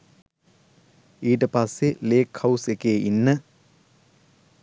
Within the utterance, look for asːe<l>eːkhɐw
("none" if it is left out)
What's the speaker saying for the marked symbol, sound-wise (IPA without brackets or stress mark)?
l